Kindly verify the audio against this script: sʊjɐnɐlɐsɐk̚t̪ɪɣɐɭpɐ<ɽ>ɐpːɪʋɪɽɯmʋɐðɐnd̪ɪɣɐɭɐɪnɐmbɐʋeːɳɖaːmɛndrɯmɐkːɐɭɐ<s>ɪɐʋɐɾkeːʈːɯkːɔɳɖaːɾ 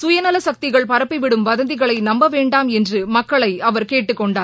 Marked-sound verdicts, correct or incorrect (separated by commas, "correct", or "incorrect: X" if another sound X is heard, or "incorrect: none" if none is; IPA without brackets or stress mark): incorrect: ɾ, incorrect: none